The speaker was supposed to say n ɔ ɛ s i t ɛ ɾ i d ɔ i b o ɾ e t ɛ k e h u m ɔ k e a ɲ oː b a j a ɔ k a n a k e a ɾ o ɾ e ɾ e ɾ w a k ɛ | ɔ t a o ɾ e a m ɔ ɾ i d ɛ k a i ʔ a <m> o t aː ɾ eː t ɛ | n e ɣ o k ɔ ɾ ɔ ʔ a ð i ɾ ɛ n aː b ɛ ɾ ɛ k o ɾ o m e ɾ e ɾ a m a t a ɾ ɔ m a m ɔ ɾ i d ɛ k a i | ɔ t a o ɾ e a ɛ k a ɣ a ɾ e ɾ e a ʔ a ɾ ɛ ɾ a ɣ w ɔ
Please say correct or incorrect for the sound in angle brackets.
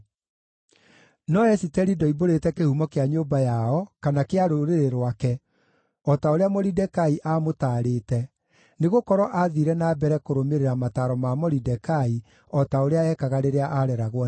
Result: correct